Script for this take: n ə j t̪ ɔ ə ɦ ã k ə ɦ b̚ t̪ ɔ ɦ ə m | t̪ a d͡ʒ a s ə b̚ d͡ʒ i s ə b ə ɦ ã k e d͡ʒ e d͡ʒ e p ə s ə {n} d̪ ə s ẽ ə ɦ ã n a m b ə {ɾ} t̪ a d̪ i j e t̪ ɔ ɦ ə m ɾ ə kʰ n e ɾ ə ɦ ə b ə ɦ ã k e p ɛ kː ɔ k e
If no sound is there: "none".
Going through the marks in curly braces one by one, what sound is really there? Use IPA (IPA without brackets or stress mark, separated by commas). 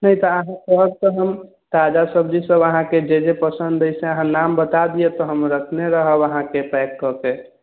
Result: n, none